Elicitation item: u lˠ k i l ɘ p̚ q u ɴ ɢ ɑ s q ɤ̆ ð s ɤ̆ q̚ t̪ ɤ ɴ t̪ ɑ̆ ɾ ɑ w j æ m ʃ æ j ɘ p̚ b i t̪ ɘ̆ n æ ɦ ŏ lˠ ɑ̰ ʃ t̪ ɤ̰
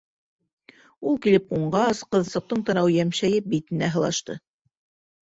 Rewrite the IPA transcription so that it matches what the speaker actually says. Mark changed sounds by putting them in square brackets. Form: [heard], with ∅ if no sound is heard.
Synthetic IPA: u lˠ k i l ɘ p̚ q u ɴ ɢ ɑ s q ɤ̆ ð s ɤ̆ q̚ t̪ ɤ ɴ t̪ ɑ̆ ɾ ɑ w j æ m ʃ æ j ɘ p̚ b i t̪ ɘ̆ n æ ɦ [ɤ̆] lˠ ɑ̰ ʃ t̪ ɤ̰